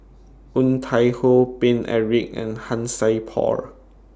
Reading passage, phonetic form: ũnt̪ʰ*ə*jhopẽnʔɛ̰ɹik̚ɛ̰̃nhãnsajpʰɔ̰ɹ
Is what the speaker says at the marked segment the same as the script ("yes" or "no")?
no